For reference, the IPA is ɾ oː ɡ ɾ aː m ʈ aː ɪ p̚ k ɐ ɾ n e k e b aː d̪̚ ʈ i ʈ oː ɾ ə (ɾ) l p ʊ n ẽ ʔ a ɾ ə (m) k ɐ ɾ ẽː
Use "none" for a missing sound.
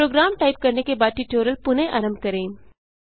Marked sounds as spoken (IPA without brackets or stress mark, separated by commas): none, m